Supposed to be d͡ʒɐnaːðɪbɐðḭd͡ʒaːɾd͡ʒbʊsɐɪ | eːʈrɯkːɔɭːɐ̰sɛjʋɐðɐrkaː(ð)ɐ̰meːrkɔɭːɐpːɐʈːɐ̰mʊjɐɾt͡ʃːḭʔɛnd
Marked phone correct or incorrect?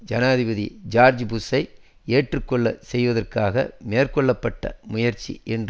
incorrect